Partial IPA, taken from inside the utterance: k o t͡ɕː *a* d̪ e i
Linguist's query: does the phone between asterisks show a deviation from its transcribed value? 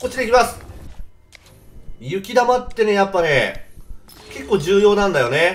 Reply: yes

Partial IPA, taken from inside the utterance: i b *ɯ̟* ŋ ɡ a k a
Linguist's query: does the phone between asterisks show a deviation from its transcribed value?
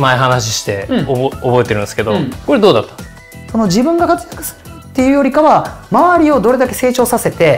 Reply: yes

